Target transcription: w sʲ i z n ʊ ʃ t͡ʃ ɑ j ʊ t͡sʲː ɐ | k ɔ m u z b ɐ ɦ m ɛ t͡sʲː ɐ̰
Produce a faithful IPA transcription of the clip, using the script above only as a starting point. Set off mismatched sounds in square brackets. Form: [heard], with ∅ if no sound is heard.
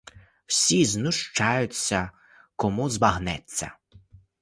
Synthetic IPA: w sʲ i z n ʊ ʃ t͡ʃ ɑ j ʊ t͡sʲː ɐ | k ɔ m u z b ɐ ɦ [n] ɛ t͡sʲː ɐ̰